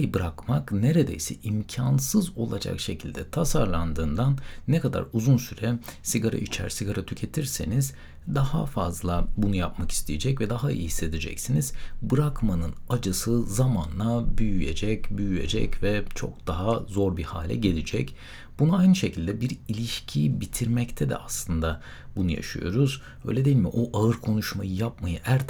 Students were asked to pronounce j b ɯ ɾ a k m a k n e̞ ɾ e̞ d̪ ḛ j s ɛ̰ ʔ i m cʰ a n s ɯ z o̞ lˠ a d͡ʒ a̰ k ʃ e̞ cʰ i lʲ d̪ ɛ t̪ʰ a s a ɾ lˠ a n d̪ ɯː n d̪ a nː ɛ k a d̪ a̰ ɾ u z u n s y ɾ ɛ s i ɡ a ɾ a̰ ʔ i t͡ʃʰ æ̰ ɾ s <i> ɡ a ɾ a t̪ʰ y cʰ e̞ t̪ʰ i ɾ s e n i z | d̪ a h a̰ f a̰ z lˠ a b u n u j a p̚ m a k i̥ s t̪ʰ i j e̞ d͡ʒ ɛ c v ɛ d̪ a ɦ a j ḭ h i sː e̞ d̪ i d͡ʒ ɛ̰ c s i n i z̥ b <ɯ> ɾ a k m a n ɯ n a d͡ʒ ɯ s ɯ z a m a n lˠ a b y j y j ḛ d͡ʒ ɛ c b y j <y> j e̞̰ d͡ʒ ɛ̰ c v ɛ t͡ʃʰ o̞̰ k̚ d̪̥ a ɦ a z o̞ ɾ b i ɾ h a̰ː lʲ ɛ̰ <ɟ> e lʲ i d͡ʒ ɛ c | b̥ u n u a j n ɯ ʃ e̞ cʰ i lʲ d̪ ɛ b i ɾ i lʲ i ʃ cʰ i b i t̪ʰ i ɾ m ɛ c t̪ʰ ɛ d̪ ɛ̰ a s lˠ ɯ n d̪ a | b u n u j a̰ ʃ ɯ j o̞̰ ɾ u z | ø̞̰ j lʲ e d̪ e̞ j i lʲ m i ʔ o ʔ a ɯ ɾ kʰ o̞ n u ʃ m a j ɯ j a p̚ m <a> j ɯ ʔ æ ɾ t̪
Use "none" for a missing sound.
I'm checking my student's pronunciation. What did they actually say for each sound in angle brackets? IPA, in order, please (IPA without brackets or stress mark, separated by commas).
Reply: i, ɯ, y, ɟ, a